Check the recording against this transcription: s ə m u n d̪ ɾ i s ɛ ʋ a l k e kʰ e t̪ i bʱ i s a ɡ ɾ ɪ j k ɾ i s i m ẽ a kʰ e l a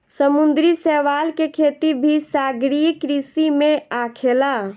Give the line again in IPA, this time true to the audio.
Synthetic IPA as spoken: s ə m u n d̪ ɾ i s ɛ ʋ a l k e kʰ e t̪ i bʱ i s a ɡ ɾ i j k ɾ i s i m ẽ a kʰ e l a